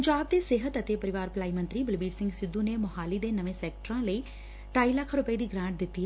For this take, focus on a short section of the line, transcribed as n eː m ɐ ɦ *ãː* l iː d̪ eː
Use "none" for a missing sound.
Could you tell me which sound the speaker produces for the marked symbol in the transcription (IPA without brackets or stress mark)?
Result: aː